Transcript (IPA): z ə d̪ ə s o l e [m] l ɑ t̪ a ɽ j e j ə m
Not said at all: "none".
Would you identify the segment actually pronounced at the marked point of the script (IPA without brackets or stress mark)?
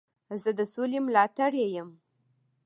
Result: m